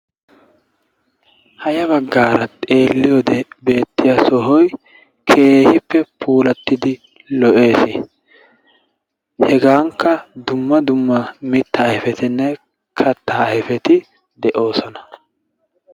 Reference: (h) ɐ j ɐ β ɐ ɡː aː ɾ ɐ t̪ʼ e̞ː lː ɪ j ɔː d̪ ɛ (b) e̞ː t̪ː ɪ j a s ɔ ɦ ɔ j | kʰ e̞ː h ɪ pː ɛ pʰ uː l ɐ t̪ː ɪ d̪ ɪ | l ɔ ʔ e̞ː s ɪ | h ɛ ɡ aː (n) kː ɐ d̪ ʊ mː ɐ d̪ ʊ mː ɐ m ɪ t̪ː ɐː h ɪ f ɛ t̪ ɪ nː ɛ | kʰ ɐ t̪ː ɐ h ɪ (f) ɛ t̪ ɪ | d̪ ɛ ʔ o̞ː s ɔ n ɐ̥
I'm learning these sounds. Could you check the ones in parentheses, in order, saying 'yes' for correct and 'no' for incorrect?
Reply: yes, yes, no, yes

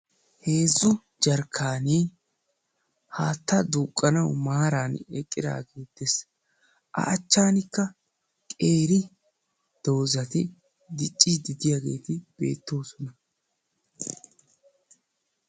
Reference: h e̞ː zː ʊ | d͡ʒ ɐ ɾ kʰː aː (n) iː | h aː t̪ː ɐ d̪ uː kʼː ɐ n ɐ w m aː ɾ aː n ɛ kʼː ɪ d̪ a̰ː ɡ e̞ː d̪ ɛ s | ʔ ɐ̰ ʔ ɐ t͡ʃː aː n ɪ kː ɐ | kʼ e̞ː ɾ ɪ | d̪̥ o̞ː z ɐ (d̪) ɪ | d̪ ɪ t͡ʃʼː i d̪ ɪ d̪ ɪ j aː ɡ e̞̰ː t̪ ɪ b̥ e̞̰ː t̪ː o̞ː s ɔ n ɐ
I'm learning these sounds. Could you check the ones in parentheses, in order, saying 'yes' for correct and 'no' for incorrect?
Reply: yes, no

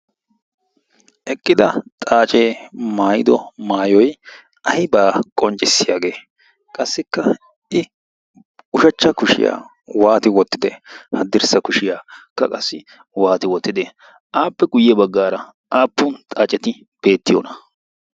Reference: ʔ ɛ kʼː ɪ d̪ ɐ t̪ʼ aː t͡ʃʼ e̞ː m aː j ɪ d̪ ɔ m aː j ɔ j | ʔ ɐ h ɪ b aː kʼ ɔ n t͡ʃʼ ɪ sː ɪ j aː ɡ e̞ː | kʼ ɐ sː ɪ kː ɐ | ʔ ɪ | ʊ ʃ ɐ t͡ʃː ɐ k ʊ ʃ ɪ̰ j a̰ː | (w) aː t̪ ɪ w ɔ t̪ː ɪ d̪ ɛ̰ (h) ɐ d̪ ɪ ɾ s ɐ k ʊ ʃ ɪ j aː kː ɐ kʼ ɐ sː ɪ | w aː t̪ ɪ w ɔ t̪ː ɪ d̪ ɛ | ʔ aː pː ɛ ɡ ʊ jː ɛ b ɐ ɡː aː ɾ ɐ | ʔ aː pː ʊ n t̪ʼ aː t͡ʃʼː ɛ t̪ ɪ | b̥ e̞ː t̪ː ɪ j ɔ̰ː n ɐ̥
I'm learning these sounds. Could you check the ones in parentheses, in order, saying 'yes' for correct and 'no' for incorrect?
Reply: yes, yes

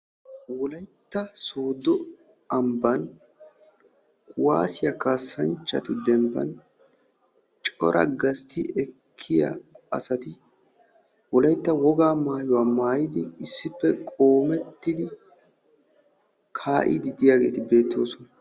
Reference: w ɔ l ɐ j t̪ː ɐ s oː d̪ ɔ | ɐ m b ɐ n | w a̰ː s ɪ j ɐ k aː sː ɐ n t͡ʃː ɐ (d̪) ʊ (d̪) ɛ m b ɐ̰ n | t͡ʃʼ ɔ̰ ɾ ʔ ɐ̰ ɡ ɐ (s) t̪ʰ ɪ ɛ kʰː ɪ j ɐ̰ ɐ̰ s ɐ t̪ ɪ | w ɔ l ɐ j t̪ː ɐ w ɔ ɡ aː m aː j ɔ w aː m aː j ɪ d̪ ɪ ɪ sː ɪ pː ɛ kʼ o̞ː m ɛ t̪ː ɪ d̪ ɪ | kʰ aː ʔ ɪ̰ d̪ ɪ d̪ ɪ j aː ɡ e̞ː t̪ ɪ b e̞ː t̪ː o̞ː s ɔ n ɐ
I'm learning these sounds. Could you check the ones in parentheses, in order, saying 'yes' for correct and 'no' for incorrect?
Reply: no, yes, yes

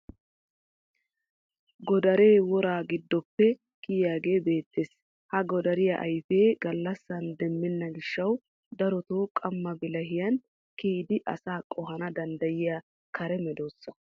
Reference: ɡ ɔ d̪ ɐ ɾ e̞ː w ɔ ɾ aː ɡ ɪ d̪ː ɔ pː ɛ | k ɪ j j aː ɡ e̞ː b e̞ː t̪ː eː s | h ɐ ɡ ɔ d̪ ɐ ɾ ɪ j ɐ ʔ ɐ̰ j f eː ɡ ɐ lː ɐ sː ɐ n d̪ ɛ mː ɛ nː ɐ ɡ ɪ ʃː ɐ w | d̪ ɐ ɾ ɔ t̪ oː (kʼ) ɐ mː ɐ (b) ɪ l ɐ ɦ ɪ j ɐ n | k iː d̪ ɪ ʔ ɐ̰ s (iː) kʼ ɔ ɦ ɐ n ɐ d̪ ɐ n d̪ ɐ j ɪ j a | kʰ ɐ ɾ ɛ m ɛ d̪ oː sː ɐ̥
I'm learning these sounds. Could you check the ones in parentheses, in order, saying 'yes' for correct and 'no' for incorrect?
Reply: yes, yes, no

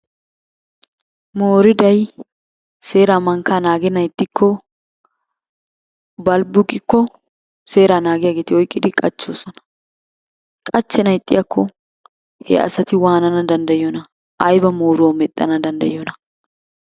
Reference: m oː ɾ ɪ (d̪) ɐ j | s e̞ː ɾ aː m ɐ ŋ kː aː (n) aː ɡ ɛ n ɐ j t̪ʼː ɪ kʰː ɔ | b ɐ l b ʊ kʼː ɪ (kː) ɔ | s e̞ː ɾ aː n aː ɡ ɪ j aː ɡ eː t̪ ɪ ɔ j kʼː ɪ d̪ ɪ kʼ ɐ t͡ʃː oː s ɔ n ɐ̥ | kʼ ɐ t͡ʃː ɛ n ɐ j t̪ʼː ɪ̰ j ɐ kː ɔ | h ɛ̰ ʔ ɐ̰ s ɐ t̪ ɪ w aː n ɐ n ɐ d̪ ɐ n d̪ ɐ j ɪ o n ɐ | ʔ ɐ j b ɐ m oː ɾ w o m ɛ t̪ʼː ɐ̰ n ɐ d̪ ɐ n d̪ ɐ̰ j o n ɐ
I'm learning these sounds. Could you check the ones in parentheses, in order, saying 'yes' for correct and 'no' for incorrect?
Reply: yes, yes, yes

